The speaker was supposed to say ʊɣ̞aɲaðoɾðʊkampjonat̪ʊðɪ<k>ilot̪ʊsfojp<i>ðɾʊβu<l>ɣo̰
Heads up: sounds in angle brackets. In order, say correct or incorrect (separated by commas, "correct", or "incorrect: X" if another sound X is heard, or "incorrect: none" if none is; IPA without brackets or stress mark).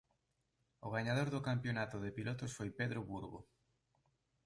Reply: incorrect: p, incorrect: e, incorrect: ɾ